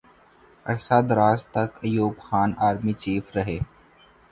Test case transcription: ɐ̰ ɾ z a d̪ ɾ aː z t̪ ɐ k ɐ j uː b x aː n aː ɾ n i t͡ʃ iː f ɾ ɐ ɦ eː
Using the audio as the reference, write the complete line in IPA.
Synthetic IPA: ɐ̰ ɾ s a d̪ ɾ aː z t̪ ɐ k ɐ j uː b x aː n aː ɾ m i t͡ʃ iː f ɾ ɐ ɦ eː

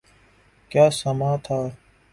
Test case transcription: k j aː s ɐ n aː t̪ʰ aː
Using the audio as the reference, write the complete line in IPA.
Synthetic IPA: k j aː s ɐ m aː t̪ʰ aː

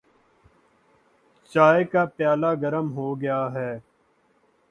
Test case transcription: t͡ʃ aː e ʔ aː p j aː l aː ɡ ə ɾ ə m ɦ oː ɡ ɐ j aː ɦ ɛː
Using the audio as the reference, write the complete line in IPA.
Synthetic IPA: t͡ʃ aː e k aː p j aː l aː ɡ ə ɾ ə m ɦ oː ɡ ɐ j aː ɦ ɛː

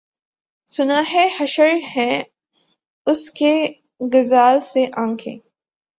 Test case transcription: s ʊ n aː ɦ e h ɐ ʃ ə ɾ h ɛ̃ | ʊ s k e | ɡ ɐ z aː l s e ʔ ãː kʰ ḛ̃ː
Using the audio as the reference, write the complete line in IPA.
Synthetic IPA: s ʊ n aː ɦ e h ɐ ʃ ə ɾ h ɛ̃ | ʊ s k e | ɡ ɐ z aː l s e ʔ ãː kʰ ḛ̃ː

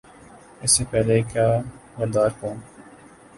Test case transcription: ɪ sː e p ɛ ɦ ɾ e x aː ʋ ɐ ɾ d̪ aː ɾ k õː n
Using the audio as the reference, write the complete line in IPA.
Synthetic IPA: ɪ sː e p ɛ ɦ l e k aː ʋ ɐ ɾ d̪ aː ɾ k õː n

